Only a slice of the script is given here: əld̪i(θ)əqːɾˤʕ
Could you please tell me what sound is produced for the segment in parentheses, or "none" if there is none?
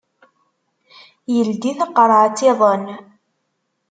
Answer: θ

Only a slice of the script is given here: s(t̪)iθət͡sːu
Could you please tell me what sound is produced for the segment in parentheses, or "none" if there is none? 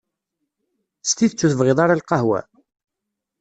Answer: t̪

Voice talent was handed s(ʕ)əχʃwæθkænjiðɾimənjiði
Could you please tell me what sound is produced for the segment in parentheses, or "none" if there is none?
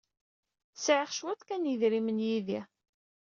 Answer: ʕ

